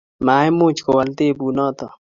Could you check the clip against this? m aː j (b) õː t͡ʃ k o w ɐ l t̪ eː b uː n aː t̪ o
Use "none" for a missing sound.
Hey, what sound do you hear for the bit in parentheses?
m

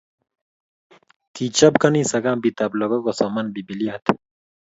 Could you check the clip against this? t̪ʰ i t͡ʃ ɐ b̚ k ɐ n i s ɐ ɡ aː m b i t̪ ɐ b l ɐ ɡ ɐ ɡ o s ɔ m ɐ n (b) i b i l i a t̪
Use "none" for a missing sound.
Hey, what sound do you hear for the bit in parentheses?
b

